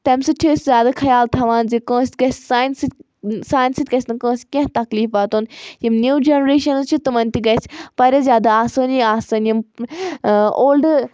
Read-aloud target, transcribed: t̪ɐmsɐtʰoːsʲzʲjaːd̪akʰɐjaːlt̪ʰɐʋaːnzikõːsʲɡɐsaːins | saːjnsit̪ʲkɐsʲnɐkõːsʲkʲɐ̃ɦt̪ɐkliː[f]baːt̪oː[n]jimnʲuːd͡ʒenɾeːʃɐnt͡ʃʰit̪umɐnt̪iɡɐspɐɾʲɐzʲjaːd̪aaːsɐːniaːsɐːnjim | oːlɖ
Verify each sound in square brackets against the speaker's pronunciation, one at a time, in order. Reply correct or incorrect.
correct, correct

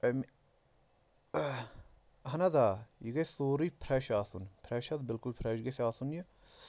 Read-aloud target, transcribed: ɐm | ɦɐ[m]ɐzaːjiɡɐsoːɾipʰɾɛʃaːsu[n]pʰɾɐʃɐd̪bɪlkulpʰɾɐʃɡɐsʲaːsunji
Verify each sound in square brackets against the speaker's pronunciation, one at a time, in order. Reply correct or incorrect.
incorrect, correct

